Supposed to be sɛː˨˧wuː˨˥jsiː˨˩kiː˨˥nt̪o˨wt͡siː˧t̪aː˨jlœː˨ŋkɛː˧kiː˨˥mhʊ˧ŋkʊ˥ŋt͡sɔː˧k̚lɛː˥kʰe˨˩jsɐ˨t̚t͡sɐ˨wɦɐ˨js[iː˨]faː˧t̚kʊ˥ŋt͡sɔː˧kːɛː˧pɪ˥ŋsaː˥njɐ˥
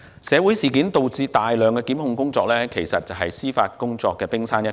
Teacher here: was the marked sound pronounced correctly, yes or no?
no